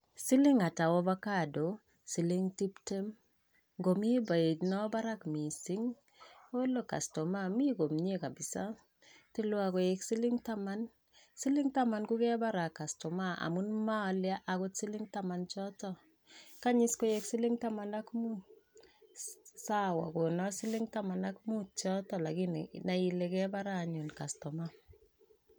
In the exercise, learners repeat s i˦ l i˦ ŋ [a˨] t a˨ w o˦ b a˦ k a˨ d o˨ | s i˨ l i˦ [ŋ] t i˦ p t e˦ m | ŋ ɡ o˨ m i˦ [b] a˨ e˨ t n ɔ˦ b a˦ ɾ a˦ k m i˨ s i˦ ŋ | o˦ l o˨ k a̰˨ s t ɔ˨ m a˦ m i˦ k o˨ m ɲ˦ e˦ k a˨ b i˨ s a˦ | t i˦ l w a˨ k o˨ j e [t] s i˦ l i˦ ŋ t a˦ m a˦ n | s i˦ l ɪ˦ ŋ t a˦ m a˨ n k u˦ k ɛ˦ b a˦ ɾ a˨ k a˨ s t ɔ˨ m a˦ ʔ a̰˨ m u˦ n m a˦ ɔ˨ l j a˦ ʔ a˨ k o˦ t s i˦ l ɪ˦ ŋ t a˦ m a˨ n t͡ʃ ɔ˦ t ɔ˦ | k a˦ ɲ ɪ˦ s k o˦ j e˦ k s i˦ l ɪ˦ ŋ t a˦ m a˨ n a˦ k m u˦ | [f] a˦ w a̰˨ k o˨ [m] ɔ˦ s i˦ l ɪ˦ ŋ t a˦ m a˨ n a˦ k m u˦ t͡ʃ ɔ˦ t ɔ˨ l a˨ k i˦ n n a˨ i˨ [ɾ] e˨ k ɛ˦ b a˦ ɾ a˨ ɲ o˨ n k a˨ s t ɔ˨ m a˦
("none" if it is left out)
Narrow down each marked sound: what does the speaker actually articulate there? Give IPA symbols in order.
a˨, ŋ, b, k, s, n, l

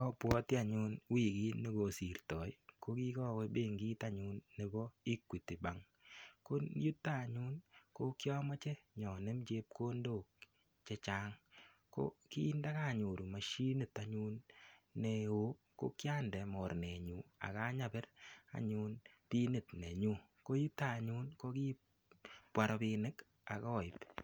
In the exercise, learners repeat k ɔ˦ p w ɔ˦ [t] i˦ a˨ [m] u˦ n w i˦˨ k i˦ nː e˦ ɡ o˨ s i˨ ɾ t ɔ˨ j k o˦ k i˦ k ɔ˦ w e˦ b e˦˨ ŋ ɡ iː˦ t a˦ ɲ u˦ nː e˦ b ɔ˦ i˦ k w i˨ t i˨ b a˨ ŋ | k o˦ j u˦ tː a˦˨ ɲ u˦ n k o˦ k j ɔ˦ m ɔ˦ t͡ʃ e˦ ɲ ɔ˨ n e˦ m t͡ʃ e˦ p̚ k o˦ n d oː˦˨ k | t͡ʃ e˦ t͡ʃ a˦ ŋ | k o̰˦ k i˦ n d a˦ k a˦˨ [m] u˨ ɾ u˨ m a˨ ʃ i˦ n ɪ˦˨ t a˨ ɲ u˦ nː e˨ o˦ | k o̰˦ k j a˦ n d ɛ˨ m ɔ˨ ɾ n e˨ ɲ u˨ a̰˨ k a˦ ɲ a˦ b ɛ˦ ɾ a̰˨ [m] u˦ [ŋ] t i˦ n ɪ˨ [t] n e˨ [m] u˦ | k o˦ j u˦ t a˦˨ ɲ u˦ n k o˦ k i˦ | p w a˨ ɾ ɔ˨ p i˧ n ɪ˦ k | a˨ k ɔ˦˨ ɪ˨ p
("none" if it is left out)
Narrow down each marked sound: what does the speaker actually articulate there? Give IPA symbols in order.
t, ɲ, ɲ, ɲ, n, t, ɲ

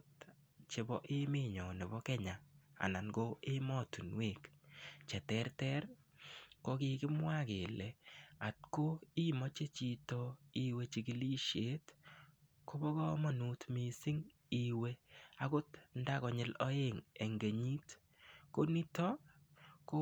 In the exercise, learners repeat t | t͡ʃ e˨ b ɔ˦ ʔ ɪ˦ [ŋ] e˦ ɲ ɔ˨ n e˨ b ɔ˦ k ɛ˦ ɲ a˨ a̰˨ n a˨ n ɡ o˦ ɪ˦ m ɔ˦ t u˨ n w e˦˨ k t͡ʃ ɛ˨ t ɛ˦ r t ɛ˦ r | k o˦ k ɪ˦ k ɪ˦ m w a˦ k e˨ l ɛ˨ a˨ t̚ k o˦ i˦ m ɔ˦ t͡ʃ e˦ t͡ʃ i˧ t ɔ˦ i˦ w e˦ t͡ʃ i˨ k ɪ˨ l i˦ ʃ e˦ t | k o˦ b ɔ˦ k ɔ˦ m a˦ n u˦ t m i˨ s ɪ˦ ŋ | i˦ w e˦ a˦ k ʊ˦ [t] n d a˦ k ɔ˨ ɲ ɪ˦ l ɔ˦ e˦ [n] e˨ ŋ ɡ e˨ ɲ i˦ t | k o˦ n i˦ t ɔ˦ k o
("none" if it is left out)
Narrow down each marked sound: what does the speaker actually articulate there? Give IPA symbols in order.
m, t, ŋ

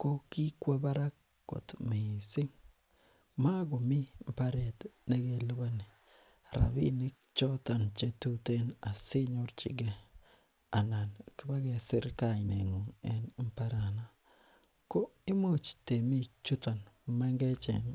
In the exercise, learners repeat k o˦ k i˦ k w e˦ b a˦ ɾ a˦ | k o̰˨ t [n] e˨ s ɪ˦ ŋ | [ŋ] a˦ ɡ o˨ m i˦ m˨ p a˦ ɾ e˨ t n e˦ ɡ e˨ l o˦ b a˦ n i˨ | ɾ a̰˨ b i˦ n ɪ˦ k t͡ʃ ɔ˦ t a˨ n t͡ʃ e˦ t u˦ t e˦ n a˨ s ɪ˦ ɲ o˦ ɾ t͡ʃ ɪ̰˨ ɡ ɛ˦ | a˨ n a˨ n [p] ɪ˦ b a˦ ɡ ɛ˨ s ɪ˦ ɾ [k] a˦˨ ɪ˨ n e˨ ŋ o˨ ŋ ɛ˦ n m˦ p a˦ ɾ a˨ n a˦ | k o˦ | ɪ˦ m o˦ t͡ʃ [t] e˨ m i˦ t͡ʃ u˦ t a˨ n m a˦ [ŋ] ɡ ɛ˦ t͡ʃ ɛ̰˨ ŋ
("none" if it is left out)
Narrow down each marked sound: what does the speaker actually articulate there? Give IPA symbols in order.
m, m, k, k, t, ŋ

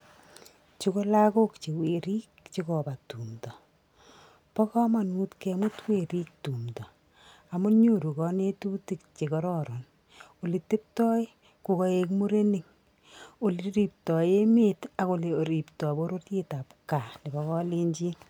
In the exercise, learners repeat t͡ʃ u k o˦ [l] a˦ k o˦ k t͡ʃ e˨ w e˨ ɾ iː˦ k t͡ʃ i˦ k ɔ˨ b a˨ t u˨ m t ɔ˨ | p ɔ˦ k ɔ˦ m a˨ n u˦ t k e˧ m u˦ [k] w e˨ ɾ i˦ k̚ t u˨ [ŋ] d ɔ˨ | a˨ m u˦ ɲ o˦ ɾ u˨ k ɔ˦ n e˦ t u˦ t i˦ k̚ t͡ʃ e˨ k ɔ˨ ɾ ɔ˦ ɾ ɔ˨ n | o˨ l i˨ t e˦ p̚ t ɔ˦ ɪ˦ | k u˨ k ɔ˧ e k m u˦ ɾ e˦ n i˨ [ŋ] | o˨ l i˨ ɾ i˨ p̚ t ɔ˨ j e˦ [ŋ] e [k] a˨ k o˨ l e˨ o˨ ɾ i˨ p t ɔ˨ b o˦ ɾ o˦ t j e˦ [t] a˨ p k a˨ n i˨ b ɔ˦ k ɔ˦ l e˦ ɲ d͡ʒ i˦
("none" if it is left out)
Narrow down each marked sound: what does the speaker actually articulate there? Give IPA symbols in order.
l, t, m, ŋ, m, t, t

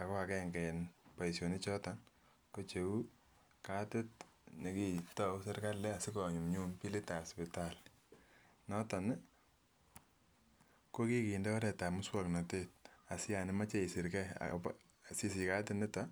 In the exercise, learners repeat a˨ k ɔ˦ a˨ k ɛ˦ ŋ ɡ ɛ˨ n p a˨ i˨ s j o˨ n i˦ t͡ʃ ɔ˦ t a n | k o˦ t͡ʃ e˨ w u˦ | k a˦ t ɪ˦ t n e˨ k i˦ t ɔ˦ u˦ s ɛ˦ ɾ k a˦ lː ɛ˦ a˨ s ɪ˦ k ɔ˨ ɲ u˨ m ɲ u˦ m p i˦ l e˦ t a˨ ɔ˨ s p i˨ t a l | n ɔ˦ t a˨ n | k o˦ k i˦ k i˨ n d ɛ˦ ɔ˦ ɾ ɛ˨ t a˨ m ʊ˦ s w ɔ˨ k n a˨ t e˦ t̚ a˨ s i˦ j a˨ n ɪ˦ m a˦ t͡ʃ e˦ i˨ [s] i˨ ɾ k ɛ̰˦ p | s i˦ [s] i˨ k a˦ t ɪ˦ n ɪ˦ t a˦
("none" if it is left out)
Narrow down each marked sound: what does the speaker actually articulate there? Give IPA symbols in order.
s, s

